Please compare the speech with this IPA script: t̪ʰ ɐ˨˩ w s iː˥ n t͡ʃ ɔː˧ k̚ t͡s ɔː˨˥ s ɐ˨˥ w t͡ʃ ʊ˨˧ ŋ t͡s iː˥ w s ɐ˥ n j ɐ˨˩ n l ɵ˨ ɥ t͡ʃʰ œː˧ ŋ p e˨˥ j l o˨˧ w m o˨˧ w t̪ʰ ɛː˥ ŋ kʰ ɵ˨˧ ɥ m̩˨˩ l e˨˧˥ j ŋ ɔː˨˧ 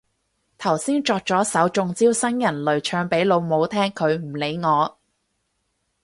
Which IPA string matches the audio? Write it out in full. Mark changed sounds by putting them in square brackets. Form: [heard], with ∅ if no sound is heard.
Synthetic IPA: t̪ʰ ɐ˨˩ w s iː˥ n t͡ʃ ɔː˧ k̚ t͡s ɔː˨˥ s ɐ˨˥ w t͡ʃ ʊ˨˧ ŋ t͡s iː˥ w s ɐ˥ n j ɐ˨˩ n l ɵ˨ ɥ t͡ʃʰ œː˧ ŋ p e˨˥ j l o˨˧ w m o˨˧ w t̪ʰ ɛː˥ ŋ kʰ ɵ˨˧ ɥ m̩˨˩ l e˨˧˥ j ŋ ɔː˨˧